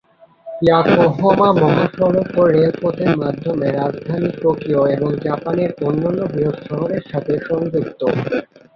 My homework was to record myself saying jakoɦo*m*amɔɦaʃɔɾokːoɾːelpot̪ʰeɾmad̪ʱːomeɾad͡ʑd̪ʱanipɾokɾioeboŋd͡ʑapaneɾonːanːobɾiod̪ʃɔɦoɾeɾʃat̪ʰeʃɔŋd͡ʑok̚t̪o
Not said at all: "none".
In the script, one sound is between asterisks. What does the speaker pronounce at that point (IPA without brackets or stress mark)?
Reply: m